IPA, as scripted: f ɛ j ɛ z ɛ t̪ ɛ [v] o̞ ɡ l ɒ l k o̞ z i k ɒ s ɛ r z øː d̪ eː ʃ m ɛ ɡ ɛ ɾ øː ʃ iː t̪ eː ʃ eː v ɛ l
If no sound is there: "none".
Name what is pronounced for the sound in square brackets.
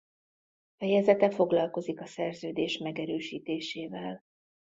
f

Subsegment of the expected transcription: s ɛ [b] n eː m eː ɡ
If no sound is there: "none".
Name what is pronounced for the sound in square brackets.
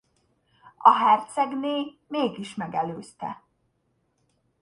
ɡ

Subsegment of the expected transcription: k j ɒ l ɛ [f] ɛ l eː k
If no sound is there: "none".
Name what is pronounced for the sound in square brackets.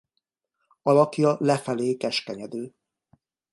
f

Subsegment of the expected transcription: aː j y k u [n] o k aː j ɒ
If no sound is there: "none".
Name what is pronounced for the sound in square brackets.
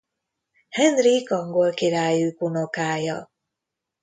n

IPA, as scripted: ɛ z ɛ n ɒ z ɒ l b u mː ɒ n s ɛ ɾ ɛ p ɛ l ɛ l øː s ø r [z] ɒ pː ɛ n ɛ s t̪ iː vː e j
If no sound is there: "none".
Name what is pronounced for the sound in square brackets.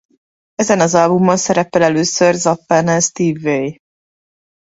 z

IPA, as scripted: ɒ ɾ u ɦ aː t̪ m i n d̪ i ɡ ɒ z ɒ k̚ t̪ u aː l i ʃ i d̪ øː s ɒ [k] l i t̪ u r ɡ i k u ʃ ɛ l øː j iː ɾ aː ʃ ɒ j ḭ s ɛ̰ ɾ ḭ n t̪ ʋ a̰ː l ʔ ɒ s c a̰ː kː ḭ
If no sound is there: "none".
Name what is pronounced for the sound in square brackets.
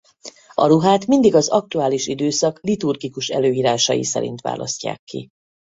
k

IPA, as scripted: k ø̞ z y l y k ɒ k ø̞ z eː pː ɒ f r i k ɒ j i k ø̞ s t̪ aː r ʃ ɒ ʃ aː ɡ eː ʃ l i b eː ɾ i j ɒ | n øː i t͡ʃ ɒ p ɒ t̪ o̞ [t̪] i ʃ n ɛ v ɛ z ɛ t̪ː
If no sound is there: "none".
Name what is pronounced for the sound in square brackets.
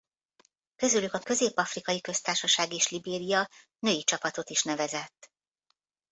t̪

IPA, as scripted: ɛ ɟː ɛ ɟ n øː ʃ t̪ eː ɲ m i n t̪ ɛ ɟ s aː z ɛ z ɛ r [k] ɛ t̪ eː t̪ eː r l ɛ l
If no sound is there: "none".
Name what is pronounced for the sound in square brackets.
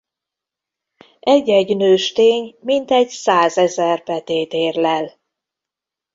p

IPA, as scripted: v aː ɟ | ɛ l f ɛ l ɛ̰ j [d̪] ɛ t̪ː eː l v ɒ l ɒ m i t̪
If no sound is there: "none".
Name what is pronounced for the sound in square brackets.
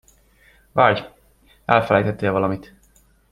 t̪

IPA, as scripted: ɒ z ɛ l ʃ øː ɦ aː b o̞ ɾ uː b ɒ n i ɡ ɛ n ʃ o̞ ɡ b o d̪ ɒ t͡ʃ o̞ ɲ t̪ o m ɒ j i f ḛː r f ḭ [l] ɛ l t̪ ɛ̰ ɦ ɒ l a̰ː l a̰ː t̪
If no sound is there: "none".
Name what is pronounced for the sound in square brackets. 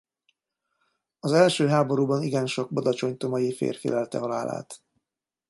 l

